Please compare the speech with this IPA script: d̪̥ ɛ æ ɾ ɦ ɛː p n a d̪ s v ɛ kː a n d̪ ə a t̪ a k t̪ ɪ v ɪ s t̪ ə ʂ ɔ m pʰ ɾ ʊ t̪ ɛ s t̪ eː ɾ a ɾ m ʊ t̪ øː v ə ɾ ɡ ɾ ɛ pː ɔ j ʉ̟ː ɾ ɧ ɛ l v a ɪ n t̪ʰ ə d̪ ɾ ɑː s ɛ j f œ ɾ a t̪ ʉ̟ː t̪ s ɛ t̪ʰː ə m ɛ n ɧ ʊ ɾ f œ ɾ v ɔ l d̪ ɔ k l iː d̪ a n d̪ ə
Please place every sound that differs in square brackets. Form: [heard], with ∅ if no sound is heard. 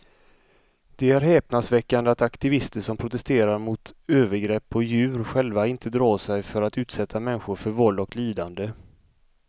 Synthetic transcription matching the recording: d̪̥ ɛ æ ɾ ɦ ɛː p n a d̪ s v ɛ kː a n d̪ ə a t̪ a k t̪ ɪ v ɪ s t̪ ə ʂ ɔ m pʰ ɾ ʊ t̪ ɛ s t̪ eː ɾ a ɾ m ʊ t̪ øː v ə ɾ ɡ ɾ ɛ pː ɔ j ʉ̟ː ɾ ɧ ɛ l v a ɪ n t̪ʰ ə d̪ ɾ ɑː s ɛ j f œ ɾ a t̪ ʉ̟ː t̪ s ɛ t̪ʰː [a] m ɛ n ɧ ʊ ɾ f œ ɾ v ɔ l d̪ ɔ k l iː d̪ a n d̪ ə